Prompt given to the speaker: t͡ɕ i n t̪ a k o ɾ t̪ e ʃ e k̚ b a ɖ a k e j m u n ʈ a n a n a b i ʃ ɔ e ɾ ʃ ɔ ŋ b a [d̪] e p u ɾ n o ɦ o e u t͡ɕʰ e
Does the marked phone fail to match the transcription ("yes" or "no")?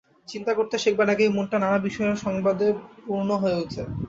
no